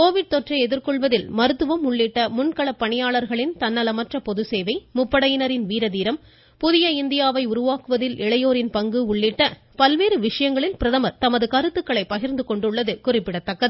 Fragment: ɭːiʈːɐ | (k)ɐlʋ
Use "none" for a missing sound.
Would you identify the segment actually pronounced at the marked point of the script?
p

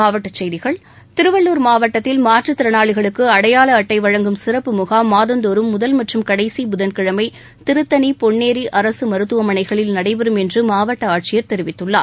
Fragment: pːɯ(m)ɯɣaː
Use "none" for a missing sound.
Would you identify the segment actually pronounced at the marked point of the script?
m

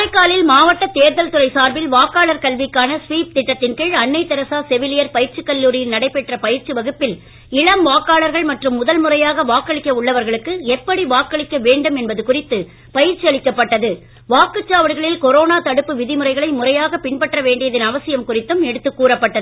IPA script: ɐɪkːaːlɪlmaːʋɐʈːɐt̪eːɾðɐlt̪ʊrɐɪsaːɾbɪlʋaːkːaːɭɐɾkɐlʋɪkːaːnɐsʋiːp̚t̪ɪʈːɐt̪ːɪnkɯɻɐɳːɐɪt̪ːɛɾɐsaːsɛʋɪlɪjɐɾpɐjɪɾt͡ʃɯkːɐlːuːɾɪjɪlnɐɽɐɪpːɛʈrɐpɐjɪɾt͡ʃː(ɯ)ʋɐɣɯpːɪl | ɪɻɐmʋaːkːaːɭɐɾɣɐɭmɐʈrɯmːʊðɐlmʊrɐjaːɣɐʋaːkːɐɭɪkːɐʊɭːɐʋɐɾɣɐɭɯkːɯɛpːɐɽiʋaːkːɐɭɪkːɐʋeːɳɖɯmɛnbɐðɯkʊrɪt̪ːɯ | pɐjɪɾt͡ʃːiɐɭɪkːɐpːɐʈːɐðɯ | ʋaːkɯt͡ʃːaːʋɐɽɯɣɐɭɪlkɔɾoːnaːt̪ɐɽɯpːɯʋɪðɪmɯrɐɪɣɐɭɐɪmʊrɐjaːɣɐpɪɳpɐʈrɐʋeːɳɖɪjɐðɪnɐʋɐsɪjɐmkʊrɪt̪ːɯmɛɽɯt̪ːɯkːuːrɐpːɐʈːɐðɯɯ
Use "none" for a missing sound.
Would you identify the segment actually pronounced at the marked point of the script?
ɯ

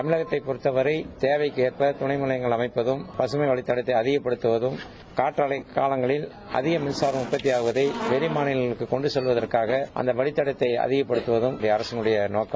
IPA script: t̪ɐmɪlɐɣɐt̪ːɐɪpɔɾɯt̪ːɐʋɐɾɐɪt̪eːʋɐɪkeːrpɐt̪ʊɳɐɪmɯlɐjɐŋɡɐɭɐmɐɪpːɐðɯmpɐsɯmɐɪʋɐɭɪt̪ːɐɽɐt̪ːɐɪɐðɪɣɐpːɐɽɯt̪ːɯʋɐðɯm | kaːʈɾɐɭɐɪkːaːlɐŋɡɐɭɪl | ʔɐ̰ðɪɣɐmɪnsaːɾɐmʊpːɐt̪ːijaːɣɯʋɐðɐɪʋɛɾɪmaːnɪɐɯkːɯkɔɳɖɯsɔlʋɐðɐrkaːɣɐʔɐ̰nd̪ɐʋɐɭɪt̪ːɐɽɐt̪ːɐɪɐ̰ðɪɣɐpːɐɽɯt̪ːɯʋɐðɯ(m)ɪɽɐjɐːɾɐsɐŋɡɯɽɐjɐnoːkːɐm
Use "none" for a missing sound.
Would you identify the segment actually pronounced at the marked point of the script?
m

